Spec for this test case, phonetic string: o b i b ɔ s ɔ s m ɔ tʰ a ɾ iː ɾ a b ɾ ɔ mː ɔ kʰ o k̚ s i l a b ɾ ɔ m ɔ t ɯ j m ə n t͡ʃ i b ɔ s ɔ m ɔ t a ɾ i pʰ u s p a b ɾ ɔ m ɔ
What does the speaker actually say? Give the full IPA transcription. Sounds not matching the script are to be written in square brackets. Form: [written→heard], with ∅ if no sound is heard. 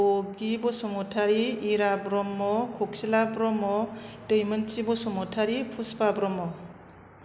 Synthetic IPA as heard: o [b→ɡ] i b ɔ s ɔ [s→∅] m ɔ tʰ a ɾ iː ɾ a b ɾ ɔ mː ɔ kʰ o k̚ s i l a b ɾ ɔ m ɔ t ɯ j m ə n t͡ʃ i b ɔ s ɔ m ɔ [t→tʰ] a ɾ i pʰ u s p a b ɾ ɔ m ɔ